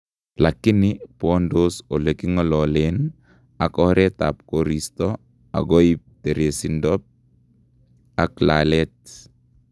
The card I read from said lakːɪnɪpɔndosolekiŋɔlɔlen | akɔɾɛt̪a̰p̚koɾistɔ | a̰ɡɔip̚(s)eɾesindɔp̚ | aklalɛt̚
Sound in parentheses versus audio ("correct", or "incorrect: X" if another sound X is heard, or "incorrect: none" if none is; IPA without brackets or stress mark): incorrect: t